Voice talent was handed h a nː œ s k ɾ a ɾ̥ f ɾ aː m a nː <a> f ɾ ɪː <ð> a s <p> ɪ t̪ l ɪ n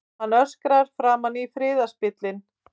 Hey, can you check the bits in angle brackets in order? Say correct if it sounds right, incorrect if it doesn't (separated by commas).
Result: incorrect, correct, correct